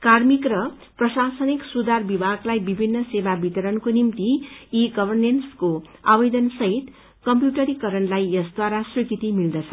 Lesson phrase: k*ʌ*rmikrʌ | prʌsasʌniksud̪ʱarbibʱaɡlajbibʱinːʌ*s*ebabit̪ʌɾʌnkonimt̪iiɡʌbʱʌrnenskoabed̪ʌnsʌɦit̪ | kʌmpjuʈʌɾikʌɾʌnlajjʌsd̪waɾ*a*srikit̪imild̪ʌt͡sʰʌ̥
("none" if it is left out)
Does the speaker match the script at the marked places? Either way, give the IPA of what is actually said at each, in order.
a, s, a

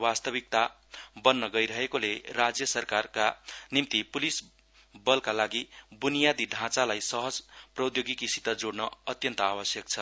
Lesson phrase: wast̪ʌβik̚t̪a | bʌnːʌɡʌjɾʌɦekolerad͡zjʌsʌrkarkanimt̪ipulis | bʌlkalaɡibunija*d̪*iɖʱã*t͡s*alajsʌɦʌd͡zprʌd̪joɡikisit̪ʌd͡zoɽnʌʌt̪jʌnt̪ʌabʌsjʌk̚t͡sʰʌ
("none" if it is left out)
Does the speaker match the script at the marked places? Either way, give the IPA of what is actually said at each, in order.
d̪, t͡s

